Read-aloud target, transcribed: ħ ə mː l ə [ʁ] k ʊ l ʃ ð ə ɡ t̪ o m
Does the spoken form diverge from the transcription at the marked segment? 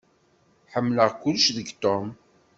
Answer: no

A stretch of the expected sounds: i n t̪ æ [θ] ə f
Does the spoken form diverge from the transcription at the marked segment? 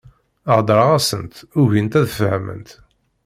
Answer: yes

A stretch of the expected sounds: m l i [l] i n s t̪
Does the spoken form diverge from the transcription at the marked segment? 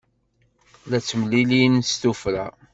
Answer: no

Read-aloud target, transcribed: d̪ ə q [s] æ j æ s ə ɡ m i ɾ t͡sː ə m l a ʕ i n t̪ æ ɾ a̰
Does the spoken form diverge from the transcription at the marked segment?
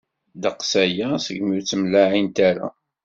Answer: no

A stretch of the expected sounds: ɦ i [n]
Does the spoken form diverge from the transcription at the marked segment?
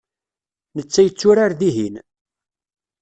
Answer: no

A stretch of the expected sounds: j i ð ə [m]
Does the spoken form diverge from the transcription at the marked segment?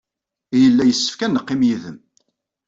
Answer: no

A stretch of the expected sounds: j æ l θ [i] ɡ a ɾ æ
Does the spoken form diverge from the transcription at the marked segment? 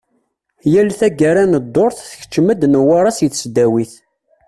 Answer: yes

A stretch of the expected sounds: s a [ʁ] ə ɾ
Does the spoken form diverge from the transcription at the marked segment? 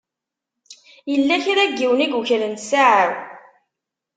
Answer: yes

